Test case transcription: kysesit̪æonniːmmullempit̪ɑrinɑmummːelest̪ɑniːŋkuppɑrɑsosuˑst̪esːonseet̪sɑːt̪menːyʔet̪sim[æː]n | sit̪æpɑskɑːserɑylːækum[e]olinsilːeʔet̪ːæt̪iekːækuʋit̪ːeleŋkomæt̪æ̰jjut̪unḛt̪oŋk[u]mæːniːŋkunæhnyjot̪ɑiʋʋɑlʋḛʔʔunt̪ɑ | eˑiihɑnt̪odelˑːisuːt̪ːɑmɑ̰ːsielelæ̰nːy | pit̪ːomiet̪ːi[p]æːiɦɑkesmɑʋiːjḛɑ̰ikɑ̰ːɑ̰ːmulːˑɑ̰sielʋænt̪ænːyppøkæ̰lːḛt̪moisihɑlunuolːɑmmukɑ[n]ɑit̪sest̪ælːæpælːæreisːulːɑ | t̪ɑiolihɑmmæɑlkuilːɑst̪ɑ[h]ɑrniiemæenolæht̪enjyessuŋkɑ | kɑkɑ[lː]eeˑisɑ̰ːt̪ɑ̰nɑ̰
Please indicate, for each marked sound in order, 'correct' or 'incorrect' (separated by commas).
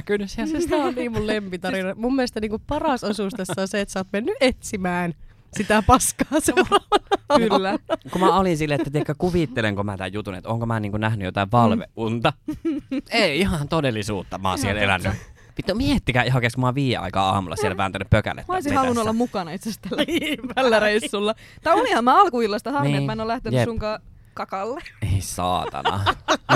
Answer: correct, incorrect, incorrect, incorrect, correct, correct, correct